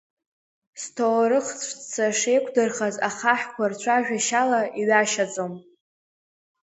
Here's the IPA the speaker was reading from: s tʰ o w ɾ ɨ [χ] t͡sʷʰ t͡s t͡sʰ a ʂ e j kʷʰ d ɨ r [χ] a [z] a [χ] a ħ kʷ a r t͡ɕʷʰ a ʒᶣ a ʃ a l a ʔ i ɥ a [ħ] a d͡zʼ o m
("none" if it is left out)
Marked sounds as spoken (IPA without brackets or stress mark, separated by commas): χ, χ, z, χ, ʃ